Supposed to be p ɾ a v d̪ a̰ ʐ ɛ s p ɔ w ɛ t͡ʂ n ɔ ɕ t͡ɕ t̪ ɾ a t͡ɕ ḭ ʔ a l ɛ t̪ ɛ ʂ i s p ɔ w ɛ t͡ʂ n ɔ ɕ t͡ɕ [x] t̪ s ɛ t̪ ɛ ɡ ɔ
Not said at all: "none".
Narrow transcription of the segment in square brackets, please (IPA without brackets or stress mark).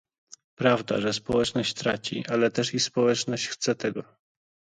x